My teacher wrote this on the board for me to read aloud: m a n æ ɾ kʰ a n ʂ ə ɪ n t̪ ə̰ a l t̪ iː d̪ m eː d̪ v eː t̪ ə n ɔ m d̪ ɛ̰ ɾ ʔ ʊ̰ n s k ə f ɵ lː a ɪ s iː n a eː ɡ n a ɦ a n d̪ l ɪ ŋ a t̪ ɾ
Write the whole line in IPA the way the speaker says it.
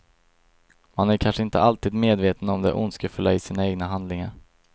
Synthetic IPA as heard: m a n æ ɾ kʰ a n ʂ ə ɪ n t̪ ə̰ a l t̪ iː d̪ m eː d̪ v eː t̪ ə n ɔ m d̪ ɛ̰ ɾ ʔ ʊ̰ n s k ə f ɵ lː a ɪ s iː n a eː ɡ n a ɦ a n d̪ l ɪ ŋ a ɾ